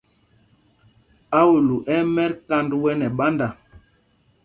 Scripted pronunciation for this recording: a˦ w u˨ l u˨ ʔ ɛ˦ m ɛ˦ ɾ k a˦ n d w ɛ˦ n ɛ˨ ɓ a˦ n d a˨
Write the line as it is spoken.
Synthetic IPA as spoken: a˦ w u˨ l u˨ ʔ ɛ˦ m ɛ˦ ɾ k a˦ n d w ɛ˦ n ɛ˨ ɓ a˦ n d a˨